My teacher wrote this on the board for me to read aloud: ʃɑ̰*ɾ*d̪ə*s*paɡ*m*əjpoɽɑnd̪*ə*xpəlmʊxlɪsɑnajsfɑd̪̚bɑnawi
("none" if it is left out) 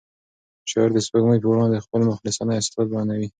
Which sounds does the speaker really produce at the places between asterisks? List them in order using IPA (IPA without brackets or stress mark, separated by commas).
ɾ, s, m, ə